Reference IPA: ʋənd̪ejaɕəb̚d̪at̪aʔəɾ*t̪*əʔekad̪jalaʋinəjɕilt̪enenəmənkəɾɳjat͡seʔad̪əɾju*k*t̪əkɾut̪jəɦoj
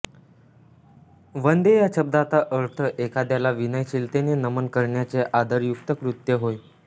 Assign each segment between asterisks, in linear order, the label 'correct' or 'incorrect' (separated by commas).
incorrect, correct